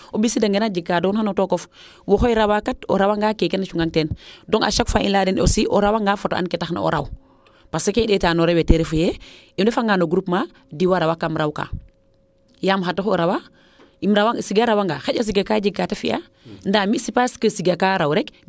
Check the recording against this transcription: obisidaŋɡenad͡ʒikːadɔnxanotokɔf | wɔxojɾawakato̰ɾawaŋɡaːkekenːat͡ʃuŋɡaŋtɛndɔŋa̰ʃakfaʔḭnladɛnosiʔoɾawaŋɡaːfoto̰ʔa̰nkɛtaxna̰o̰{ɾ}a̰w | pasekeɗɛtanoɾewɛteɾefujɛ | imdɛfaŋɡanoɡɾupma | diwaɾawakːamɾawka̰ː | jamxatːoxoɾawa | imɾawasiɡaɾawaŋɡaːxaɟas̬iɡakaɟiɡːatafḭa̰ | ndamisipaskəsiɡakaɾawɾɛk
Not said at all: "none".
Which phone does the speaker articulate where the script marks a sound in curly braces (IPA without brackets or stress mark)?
ɾ